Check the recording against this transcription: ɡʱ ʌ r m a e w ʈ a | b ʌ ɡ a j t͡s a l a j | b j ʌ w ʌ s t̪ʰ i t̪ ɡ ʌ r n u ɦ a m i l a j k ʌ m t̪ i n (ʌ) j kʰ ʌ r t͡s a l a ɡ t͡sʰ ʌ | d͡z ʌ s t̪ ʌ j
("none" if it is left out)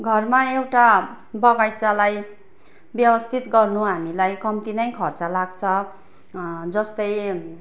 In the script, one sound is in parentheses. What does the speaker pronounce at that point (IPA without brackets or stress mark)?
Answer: ʌ